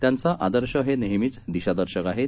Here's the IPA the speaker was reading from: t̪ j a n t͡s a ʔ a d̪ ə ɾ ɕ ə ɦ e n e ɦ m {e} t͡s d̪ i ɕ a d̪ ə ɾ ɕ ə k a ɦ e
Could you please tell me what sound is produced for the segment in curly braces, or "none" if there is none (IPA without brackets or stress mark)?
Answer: i